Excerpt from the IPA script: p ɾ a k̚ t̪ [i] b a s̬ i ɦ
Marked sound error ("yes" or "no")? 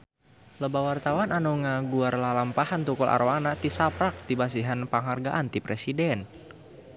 no